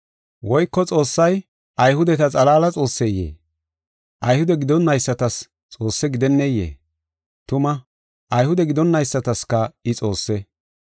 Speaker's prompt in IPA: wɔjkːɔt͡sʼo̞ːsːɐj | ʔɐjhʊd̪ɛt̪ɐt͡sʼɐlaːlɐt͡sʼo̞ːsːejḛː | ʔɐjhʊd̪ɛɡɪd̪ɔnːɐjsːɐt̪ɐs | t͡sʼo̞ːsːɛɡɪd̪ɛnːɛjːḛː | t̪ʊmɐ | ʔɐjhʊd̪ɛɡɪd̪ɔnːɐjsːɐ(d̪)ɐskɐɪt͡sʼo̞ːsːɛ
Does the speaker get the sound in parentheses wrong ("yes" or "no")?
yes